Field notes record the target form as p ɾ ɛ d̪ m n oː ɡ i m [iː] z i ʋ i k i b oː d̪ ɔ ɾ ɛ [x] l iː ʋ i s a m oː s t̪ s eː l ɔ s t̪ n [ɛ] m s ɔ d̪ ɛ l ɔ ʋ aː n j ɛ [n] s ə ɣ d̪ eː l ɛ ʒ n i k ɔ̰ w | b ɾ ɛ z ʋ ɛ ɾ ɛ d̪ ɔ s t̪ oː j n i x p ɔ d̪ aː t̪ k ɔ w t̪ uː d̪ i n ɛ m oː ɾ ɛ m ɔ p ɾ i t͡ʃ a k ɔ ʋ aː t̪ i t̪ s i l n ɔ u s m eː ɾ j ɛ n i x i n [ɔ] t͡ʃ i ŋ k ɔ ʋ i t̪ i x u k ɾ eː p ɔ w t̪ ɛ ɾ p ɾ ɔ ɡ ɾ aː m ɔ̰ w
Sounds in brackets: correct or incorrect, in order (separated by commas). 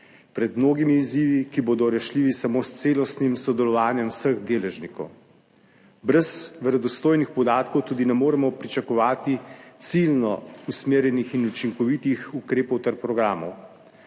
correct, incorrect, incorrect, incorrect, incorrect